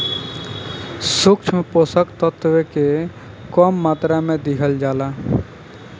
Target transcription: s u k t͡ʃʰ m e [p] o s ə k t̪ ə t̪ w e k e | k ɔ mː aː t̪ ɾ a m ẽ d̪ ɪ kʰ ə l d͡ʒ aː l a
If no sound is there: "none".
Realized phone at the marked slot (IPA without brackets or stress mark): p